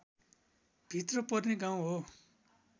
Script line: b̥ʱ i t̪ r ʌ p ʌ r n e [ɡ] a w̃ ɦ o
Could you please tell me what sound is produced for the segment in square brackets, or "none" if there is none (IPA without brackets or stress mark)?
ɡ